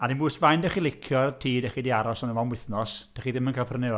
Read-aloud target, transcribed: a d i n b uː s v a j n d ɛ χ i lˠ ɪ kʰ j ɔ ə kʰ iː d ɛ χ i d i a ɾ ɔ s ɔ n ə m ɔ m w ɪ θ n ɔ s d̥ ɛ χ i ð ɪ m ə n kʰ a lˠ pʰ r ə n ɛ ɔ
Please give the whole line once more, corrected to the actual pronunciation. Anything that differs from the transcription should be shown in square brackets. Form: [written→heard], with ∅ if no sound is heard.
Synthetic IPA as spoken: a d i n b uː s v a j n d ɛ χ i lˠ ɪ kʰ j ɔ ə [kʰ→tʰ] iː d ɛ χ i d i a ɾ ɔ s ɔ n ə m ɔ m w ɪ θ n ɔ s d̥ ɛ χ i ð ɪ m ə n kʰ a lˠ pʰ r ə n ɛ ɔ